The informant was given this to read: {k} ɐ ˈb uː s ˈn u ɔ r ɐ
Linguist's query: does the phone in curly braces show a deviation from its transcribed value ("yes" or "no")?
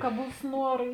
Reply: no